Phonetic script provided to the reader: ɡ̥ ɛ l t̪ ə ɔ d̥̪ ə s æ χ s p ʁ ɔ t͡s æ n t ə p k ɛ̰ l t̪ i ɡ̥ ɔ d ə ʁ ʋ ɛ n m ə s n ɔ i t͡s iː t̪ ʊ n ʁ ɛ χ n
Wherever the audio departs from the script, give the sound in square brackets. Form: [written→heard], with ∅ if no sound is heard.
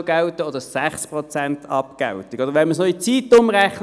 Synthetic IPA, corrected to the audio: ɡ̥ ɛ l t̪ ə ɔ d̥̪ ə s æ χ s p ʁ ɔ t͡s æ n t [ə→ɑ] p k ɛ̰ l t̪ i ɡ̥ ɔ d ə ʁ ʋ ɛ n m ə s n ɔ i t͡s iː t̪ ʊ [n→m] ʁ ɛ χ n